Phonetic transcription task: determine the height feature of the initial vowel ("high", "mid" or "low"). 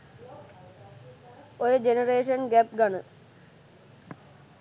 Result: mid